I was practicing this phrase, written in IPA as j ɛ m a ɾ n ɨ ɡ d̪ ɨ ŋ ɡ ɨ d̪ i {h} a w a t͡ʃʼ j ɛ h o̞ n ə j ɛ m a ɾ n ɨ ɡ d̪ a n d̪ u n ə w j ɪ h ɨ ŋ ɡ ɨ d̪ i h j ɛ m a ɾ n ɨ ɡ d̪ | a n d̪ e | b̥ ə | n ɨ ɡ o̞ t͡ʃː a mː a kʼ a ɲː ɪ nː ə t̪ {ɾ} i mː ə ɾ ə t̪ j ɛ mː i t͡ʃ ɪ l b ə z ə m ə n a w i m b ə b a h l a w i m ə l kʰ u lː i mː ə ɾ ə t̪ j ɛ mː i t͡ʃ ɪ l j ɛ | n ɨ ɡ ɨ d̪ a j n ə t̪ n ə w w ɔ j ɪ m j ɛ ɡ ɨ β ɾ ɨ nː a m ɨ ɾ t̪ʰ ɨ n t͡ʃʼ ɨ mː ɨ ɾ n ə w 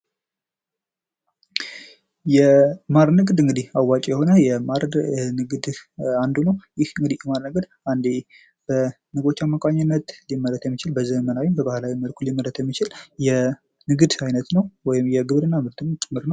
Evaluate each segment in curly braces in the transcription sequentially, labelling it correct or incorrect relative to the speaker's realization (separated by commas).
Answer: correct, incorrect